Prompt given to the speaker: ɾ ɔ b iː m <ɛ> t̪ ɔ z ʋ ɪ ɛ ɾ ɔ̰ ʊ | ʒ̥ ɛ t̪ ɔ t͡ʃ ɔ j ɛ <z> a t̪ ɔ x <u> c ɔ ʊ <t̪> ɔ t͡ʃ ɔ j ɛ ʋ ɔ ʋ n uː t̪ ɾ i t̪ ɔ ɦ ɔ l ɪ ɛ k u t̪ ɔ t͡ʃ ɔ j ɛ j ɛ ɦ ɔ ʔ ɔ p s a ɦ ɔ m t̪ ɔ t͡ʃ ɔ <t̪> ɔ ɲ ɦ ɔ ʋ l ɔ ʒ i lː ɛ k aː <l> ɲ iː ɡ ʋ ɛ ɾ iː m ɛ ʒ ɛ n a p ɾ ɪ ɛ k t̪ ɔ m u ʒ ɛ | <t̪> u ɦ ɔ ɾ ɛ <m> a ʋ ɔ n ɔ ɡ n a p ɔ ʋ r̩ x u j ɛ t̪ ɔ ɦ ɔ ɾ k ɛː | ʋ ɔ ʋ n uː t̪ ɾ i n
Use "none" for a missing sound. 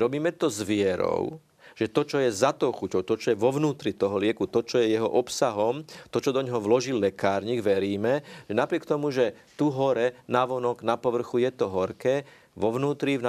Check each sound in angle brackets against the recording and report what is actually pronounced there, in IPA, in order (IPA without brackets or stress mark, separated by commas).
ɛ, z, u, t̪, d̪, ɾ, t̪, n